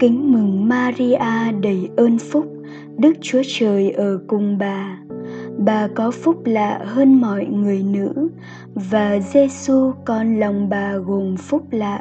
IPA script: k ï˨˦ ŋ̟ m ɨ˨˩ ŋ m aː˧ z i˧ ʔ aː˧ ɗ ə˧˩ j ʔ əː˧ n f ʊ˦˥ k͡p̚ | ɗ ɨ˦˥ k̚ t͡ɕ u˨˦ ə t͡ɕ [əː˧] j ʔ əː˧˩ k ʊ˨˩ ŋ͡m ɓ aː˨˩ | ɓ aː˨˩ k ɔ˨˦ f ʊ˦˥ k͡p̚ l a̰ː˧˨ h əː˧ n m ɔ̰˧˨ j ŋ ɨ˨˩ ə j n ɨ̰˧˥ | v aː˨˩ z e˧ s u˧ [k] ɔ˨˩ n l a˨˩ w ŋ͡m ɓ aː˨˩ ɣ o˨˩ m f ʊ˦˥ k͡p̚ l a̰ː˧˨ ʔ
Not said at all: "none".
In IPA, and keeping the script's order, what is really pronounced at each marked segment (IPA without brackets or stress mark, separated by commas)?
əː˨˩, k